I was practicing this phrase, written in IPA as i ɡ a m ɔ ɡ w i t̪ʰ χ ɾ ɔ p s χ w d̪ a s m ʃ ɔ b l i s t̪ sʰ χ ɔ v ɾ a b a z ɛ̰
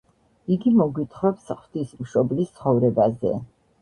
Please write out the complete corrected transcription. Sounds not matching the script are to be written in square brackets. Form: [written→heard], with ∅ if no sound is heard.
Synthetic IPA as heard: i ɡ [a→i] m ɔ ɡ w i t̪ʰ χ ɾ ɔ p s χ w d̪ [a→i] s m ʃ ɔ b l i s t̪ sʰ χ ɔ v ɾ [a→ɛ] b a z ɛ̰